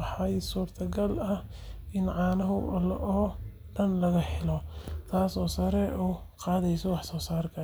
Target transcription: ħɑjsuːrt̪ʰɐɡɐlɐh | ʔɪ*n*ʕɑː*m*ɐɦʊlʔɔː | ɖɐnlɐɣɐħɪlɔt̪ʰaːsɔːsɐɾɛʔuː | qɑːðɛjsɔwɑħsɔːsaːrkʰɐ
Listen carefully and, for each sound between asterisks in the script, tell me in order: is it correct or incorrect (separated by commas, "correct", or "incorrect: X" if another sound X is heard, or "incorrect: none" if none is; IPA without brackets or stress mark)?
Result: correct, incorrect: n